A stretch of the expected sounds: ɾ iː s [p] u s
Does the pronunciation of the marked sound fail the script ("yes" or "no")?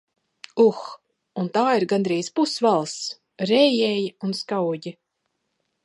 no